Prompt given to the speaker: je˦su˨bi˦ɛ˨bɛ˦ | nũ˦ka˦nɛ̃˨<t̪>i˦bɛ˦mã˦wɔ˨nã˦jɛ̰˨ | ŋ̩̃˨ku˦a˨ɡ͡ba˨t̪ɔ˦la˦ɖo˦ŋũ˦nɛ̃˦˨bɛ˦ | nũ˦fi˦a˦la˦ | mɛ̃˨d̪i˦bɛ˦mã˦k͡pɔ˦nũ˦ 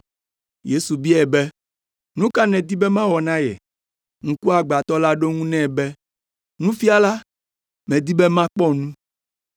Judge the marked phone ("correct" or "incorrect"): incorrect